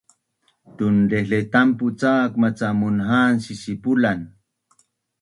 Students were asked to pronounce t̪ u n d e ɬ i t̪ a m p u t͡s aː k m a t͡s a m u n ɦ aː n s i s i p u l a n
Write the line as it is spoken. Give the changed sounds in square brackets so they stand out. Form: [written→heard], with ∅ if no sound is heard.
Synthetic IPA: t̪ u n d e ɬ [i→e] t̪ a m p u t͡s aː k m a t͡s a m u n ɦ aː n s i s i p u l a n